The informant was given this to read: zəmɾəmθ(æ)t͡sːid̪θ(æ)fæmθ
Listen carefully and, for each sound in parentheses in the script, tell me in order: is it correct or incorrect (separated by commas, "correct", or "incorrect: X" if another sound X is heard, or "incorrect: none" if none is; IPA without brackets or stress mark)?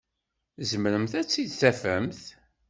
correct, correct